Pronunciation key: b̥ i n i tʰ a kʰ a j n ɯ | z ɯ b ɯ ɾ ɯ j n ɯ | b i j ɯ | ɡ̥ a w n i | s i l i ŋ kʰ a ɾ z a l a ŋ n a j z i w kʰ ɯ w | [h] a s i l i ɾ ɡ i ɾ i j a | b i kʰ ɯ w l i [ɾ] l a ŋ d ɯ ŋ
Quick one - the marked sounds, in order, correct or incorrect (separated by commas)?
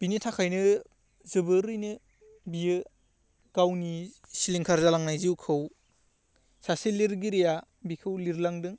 incorrect, correct